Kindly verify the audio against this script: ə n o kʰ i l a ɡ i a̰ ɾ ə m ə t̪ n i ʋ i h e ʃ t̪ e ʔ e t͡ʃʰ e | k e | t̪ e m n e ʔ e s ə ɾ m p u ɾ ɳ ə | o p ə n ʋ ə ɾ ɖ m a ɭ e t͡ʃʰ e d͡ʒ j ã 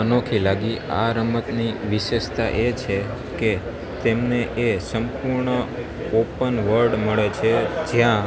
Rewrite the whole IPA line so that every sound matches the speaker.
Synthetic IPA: ə n o kʰ i l a ɡ i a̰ ɾ ə m ə t̪ n i ʋ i ʃ e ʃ t̪ a ʔ e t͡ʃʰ e | k e | t̪ e m n e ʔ e s ə m p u ɾ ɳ ə | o p ə n ʋ ə ɾ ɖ m ə ɭ e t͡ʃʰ e d͡ʒ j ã

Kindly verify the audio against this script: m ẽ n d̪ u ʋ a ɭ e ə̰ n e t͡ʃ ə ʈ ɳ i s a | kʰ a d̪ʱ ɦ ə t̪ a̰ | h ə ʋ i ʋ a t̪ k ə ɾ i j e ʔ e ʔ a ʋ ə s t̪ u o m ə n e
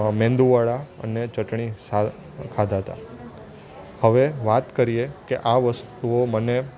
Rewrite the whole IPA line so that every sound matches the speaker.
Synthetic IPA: m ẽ n d̪ u ʋ a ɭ a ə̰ n e t͡ʃ ə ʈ ɳ i s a | kʰ a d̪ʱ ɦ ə t̪ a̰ | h ə ʋ e ʋ a t̪ k ə ɾ i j e k e ʔ a ʋ ə s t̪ u o m ə n e

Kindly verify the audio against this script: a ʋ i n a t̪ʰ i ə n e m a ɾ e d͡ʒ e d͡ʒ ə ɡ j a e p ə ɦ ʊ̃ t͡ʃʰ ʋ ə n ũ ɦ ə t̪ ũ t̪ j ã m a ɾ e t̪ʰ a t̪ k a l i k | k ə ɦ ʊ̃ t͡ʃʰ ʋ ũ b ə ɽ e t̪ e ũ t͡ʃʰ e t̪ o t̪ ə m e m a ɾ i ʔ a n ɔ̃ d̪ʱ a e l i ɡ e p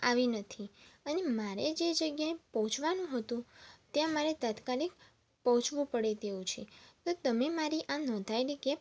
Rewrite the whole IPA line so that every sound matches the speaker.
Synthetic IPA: a ʋ i n ə t̪ʰ i ə n e m a ɾ e d͡ʒ e d͡ʒ ə ɡ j a e p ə ɦ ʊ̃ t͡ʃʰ ʋ a n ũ ɦ ə t̪ ũ t̪ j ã m a ɾ e t̪ a t̪ k a l i k | p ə ɦ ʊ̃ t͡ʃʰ ʋ ũ p ə ɽ e t̪ e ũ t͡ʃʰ e t̪ o t̪ ə m e m a ɾ i ʔ a n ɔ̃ d̪ʱ a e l i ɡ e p

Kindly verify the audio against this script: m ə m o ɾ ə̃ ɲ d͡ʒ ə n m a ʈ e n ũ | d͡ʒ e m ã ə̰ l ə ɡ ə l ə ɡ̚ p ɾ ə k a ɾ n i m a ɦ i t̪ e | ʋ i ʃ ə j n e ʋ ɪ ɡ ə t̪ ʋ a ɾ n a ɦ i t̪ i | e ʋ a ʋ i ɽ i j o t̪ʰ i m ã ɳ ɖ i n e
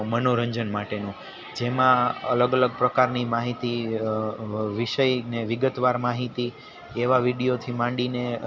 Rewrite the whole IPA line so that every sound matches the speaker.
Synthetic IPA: m ə n o ɾ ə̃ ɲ d͡ʒ ə n m a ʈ e n ũ | d͡ʒ e m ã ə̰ l ə ɡ ə l ə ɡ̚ p ɾ ə k a ɾ n i m a ɦ i t̪ i | ʋ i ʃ ə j n e ʋ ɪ ɡ ə t̪ ʋ a ɾ m a ɦ i t̪ i | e ʋ a ʋ i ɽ i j o t̪ʰ i m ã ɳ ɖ i n e

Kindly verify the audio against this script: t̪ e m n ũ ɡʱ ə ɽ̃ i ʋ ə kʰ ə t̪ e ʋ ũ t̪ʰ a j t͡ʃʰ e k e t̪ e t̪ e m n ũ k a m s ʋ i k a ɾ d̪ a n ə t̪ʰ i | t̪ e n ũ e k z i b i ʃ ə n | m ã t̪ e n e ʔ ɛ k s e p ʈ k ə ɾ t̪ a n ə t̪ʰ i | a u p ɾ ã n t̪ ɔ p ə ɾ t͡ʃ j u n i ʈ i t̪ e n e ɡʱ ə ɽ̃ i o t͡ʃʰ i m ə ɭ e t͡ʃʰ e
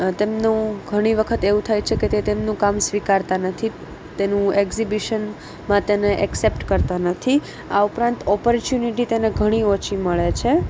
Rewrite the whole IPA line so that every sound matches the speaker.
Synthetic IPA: t̪ e m n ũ ɡʱ ə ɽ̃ i ʋ ə kʰ ə t̪ e ʋ ũ t̪ʰ a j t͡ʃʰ e k e t̪ e t̪ e m n ũ k a m s ʋ i k a ɾ t̪ a n ə t̪ʰ i | t̪ e n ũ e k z i b i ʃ ə n | m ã t̪ e n e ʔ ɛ k s e p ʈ k ə ɾ t̪ a n ə t̪ʰ i | a u p ɾ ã n t̪ ɔ p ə ɾ t͡ʃ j u n i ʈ i t̪ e n e ɡʱ ə ɽ̃ i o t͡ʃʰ i m ə ɭ e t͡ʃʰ e

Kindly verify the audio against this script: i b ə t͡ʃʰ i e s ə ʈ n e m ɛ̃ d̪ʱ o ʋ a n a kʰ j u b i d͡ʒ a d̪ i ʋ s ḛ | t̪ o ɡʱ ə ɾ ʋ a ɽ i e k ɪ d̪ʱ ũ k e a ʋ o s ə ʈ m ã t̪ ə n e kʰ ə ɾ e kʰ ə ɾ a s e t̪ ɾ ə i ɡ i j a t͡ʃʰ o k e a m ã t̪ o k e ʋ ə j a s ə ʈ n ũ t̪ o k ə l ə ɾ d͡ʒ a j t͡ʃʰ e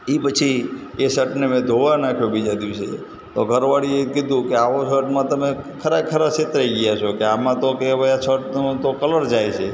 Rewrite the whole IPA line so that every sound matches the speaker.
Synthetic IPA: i p ə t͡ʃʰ i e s ə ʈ n e m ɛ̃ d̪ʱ o ʋ a n a kʰ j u b i d͡ʒ a d̪ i ʋ s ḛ | t̪ o ɡʱ ə ɾ ʋ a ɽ i e k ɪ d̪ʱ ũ k e a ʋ o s ə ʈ m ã t̪ ə m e kʰ ə ɾ a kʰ ə ɾ a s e t̪ ɾ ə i ɡ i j a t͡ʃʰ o k e a m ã t̪ o k e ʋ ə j a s ə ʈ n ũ t̪ o k ə l ə ɾ d͡ʒ a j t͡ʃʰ e

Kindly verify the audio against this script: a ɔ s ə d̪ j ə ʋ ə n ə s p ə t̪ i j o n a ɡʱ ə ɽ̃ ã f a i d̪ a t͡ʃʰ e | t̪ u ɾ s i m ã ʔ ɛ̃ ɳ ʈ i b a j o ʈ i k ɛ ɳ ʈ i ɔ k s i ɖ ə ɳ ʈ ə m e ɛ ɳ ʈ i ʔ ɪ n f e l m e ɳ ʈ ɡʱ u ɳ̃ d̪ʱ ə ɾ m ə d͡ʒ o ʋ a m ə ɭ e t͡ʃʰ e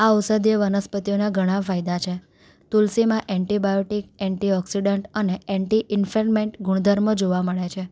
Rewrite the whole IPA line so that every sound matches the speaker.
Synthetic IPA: a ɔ s ə d̪ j ə ʋ ə n ə s p ə t̪ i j o n a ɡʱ ə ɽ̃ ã f a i d̪ a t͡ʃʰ e | t̪ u l s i m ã ʔ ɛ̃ ɳ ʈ i b a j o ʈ i k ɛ ɳ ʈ i ɔ k s i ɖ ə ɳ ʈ ə n e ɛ ɳ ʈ i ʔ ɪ n f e l m e ɳ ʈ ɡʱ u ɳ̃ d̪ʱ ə ɾ m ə d͡ʒ o ʋ a m ə ɭ e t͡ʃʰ e

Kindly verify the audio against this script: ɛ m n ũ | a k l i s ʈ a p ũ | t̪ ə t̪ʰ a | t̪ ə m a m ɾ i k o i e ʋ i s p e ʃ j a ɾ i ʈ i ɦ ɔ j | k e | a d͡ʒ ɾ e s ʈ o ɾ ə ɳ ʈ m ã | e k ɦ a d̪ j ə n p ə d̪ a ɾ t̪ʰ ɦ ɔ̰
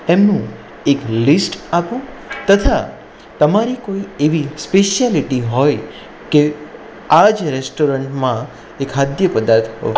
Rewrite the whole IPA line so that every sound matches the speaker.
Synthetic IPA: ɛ m n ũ | e k l i s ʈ a p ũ | t̪ ə t̪ʰ a | t̪ ə m a ɾ i k o i e ʋ i s p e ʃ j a l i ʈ i ɦ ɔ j | k e | a d͡ʒ ɾ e s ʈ o ɾ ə ɳ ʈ m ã | e k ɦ a d̪ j ə p ə d̪ a ɾ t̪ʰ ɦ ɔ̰

